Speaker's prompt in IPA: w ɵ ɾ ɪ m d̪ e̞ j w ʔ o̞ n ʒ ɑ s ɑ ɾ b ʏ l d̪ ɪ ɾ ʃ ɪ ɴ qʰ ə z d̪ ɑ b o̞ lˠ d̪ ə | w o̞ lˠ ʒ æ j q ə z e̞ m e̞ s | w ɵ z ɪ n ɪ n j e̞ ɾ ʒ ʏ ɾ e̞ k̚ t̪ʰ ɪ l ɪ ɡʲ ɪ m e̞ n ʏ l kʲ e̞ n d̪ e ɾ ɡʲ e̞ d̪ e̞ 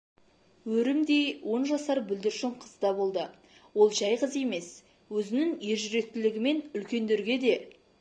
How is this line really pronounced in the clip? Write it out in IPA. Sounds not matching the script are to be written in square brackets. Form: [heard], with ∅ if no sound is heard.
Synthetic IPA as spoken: w ɵ ɾ ɪ m d̪ e̞ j w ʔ o̞ n ʒ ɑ s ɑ ɾ b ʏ l d̪ ɪ ɾ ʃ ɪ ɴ qʰ ə z d̪ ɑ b o̞ lˠ d̪ ə | w o̞ lˠ ʒ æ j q ə z e̞ m e̞ s | w ɵ z ɪ n ɪ [ŋ] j e̞ ɾ ʒ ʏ ɾ e̞ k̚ [t̪] ɪ l ɪ ɡʲ ɪ m e̞ n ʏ l kʲ e̞ n d̪ e ɾ ɡʲ e̞ d̪ e̞